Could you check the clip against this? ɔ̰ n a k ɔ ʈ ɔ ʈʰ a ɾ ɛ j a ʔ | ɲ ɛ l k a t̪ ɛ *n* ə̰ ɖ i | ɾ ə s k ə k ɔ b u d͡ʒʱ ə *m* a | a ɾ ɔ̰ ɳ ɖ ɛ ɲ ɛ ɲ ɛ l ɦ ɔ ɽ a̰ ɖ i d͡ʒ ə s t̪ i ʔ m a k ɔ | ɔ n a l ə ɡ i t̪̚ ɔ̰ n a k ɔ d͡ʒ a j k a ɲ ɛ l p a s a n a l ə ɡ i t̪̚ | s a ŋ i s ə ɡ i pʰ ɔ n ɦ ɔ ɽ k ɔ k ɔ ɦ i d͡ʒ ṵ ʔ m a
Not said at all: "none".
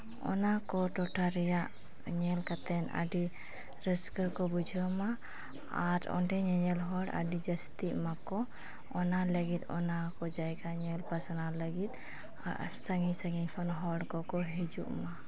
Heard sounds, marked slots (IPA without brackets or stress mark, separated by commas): n, m